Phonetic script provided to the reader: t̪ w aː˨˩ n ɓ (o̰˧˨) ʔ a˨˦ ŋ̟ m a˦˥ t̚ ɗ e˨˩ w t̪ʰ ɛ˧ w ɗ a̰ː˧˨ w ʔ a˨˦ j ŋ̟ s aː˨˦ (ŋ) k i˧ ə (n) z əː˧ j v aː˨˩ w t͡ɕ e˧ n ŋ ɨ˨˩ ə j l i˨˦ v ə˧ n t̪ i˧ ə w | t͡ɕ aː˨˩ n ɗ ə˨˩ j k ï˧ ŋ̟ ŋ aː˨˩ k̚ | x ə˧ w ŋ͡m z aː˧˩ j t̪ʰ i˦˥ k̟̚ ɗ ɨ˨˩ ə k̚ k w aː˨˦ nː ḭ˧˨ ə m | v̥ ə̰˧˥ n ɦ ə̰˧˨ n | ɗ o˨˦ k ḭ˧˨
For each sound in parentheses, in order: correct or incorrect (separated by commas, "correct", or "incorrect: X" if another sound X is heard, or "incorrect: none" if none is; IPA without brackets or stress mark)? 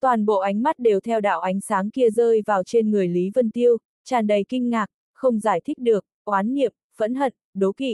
correct, correct, incorrect: none